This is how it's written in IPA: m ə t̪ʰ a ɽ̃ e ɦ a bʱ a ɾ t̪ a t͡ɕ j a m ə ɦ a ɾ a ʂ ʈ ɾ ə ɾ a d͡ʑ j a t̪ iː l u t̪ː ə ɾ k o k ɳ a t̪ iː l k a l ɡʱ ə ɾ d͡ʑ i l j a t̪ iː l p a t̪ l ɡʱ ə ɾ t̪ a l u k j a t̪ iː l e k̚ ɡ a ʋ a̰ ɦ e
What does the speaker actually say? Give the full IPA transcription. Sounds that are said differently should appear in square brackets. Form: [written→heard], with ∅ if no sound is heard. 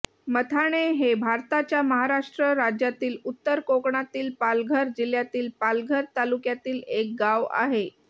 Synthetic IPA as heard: m ə t̪ʰ a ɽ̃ e ɦ [a→e] bʱ a ɾ t̪ a t͡ɕ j a m ə ɦ a ɾ a ʂ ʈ ɾ ə ɾ a d͡ʑ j a t̪ iː l u t̪ː ə ɾ k o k ɳ a t̪ iː l [k→p] a l ɡʱ ə ɾ d͡ʑ i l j a t̪ iː l p a [t̪→∅] l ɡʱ ə ɾ t̪ a l u k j a t̪ iː l e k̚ ɡ a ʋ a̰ ɦ e

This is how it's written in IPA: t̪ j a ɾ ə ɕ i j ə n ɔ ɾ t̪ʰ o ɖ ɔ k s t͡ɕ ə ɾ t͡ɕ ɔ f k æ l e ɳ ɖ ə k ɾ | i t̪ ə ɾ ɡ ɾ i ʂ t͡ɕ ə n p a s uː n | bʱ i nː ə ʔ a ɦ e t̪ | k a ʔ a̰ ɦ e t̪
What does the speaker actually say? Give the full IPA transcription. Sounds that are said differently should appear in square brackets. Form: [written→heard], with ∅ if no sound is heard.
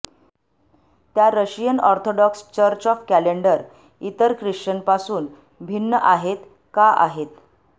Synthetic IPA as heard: t̪ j a ɾ ə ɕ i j ə n ɔ ɾ t̪ʰ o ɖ ɔ k s t͡ɕ ə ɾ t͡ɕ ɔ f k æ l e ɳ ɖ ə [k→∅] ɾ | i t̪ ə ɾ [ɡ→k] ɾ i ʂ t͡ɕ ə n p a s uː n | bʱ i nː ə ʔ a ɦ e t̪ | k a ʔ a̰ ɦ e t̪

